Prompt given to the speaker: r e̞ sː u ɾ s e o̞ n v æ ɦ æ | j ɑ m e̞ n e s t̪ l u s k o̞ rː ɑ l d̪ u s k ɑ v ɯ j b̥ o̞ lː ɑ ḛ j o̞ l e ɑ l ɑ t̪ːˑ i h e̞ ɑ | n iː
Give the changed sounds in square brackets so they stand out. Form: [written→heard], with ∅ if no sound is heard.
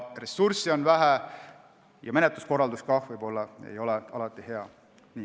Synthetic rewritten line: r e̞ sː u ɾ s [e→i] o̞ n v æ ɦ æ | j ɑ m e̞ n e [s→∅] t̪ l u s k o̞ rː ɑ l d̪ u s k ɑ v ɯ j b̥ o̞ lː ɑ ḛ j o̞ l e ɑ l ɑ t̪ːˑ i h e̞ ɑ | n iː